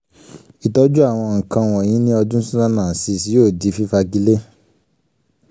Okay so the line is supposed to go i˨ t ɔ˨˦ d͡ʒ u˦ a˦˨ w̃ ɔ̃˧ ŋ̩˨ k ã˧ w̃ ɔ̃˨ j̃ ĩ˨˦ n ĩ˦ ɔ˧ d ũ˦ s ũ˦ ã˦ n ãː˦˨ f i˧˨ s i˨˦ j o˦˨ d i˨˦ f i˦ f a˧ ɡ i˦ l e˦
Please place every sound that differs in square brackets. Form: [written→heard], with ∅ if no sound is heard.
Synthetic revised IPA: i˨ t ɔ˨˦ d͡ʒ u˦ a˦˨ w̃ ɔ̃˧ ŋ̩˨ k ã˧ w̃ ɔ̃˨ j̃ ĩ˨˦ n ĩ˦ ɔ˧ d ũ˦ s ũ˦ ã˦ n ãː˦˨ [f→s] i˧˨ s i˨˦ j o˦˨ d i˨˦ f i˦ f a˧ ɡ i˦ l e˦